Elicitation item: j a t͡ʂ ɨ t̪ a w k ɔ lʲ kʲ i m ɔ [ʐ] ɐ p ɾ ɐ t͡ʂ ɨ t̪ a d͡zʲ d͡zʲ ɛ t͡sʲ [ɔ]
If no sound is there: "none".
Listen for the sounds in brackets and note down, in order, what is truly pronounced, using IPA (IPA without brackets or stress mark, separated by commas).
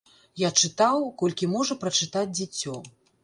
ʐ, ɔ